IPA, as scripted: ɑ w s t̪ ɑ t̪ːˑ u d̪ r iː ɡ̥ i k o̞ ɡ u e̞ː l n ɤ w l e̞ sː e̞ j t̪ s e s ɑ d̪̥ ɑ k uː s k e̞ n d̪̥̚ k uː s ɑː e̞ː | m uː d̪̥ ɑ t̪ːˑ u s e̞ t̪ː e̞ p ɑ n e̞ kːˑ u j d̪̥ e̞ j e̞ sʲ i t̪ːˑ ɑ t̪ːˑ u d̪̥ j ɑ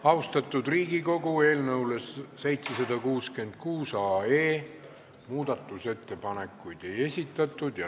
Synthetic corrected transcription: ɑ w s t̪ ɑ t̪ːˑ u d̪ r iː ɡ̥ i k o̞ ɡ u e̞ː l n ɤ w l e̞ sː e̞ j t̪ s e s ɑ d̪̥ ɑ k uː s k e̞ n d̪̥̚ k uː s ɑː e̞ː | m uː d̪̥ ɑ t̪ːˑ u s e̞ t̪ː e̞ p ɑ n e̞ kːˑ u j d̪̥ e̞ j e̞ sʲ i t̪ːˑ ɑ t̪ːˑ u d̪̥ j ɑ